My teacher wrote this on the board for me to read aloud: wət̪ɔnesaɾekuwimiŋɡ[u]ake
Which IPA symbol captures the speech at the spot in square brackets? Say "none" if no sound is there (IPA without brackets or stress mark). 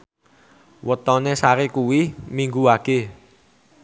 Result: u